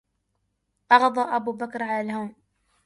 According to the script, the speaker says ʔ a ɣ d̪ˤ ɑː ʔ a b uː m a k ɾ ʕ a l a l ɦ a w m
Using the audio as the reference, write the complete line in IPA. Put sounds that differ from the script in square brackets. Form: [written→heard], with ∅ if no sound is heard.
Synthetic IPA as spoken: ʔ [a→ɑ] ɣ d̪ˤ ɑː ʔ a b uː [m→b] a k ɾ ʕ a l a l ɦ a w m